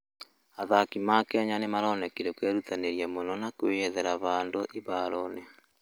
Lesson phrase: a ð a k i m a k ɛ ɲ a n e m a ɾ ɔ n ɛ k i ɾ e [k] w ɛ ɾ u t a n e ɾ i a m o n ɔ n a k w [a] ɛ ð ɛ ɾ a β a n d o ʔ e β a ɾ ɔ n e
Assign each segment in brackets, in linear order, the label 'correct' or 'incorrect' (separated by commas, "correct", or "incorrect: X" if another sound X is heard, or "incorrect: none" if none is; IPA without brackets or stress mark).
correct, incorrect: e